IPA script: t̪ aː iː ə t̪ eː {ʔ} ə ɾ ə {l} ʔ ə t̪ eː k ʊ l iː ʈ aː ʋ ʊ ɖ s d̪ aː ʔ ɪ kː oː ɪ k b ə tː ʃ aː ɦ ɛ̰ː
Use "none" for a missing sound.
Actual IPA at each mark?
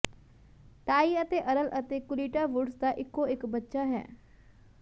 ʔ, l

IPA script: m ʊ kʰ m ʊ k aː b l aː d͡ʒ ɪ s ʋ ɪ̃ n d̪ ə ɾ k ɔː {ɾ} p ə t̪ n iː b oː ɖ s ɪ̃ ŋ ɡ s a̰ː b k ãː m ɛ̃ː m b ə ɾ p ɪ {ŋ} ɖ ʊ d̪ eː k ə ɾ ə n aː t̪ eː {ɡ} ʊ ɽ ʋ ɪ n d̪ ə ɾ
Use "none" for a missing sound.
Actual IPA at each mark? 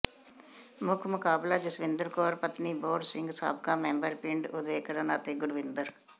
ɾ, ɳ, ɡ

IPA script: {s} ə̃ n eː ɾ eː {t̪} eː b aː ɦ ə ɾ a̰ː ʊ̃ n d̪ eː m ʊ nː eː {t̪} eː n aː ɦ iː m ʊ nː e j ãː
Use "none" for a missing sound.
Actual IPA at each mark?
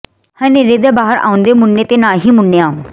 h, d̪, t̪

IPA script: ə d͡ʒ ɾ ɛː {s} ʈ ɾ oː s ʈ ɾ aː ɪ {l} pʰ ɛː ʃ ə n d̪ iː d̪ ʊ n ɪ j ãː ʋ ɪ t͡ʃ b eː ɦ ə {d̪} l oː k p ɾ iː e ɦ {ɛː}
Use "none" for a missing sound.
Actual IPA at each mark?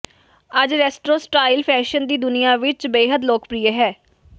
s, l, d̪, ɛː

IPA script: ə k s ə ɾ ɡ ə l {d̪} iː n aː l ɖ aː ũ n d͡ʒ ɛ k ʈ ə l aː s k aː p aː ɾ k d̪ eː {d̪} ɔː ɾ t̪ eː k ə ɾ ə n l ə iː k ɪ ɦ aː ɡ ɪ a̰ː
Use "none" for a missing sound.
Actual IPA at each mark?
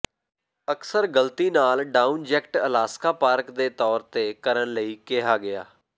t̪, t̪

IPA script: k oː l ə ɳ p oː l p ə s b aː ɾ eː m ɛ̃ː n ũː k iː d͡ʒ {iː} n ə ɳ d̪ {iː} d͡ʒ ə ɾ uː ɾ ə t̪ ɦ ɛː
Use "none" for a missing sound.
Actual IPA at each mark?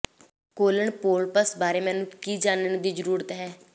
aː, iː

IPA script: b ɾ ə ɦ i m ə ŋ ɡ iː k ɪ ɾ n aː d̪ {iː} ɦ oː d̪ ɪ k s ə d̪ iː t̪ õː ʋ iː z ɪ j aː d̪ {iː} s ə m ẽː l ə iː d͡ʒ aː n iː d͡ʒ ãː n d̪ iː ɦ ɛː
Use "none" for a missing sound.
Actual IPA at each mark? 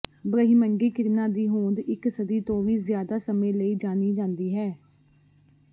iː, aː

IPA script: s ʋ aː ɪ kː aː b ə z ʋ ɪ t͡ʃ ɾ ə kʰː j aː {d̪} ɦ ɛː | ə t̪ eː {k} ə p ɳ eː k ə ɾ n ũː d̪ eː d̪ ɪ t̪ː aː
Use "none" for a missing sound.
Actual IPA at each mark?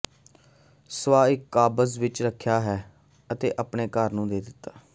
none, ʔ

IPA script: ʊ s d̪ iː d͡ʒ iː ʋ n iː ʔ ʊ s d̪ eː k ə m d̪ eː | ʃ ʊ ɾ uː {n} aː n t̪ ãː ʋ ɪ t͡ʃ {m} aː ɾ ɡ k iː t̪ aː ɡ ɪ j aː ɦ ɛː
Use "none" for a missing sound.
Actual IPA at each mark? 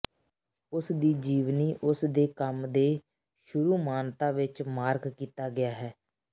m, m

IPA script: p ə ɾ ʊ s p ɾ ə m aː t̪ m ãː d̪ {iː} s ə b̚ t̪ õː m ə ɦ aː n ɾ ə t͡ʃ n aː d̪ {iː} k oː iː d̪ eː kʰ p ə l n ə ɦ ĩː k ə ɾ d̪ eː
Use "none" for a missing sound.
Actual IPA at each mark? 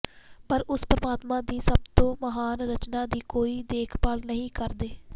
iː, iː

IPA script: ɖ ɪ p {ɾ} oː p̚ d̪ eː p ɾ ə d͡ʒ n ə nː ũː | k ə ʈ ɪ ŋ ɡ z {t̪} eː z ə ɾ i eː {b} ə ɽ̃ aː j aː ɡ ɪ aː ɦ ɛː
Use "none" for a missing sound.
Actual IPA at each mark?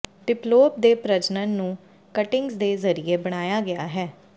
l, d̪, b

